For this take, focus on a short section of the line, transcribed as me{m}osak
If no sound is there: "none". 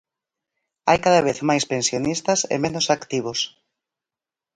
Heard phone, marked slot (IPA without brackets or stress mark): n